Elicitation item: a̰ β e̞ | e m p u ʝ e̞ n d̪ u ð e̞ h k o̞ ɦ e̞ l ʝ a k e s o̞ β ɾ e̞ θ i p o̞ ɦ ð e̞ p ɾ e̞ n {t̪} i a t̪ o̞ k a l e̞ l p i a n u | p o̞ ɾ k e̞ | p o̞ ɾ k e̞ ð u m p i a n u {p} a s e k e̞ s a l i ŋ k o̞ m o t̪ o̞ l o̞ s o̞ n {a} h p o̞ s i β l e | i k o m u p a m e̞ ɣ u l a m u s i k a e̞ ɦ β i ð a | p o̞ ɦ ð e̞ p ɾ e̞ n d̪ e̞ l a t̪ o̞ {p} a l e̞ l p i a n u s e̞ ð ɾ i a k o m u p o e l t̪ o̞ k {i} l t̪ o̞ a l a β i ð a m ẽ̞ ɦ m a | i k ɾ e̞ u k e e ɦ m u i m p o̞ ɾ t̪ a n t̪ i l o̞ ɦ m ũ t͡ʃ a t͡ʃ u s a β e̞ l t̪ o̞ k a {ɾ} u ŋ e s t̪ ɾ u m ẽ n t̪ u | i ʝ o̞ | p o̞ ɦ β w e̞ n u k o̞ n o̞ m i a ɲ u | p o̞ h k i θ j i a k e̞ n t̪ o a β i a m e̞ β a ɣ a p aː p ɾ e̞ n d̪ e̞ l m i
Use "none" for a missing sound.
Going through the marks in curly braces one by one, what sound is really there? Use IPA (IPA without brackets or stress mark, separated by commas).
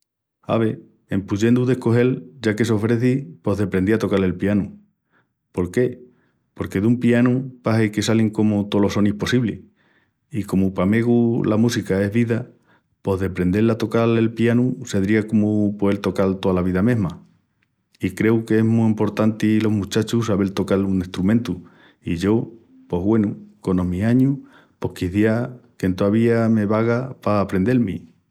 d̪, p, i, k, a, l